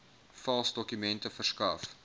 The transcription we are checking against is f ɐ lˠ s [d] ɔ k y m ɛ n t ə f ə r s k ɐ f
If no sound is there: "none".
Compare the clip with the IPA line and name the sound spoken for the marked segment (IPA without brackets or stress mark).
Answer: d